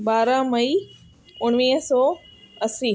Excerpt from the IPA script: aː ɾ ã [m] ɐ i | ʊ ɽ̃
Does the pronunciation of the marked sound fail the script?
no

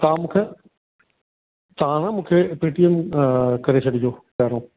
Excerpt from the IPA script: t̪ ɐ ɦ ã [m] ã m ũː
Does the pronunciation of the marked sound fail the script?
yes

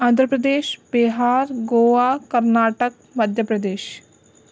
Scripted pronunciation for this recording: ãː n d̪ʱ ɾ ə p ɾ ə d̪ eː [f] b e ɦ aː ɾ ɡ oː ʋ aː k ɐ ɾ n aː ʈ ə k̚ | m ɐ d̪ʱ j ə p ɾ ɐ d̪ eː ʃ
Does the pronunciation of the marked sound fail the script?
yes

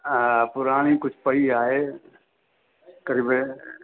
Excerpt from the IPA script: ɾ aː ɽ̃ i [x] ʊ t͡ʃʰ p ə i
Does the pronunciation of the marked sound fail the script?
yes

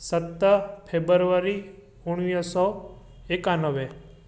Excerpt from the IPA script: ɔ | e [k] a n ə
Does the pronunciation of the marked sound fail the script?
no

